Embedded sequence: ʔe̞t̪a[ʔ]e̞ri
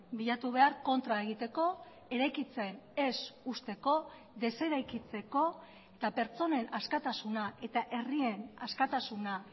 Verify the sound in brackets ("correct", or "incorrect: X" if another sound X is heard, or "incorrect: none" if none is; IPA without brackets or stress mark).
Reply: correct